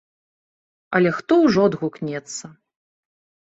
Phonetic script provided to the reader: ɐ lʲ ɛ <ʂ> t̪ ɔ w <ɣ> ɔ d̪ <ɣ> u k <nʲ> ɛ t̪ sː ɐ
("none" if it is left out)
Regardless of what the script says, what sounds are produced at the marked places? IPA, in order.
x, ʐ, ɣ, nʲ

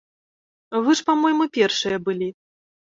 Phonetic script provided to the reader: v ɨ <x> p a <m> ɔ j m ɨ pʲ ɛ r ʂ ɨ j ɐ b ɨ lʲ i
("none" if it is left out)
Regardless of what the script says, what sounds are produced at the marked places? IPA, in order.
ʂ, m

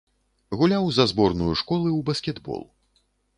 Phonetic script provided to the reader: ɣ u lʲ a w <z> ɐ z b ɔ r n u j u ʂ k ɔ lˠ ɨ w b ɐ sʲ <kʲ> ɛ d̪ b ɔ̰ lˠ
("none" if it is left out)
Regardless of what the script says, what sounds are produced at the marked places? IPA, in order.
z, kʲ

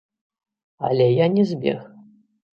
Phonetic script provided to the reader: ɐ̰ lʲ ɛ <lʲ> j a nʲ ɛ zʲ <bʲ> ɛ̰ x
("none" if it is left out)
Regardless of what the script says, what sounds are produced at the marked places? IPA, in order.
none, bʲ

